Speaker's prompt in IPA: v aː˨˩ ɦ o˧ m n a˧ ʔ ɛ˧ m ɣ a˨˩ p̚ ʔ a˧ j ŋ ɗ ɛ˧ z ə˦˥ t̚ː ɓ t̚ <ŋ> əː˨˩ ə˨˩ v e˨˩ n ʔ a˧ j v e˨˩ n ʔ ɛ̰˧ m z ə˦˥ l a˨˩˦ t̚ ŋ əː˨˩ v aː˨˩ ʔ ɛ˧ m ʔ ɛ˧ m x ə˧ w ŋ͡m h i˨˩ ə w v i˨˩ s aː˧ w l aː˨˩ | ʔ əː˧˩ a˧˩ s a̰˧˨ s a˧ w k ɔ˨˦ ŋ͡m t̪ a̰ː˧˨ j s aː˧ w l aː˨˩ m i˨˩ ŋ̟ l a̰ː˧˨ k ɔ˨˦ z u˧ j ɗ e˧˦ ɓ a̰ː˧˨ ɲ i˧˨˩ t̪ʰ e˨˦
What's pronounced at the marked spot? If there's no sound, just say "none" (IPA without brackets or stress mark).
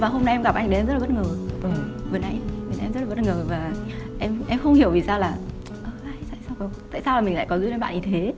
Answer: ŋ